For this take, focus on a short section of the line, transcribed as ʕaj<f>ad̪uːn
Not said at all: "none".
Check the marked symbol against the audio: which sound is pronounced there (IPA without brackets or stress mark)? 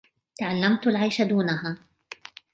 ʃ